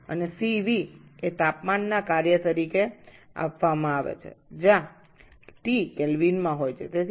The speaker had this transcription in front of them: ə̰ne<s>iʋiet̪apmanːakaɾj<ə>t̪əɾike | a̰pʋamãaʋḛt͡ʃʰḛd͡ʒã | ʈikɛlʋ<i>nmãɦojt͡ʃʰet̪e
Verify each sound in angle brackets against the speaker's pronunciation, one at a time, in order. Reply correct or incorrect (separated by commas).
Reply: correct, correct, correct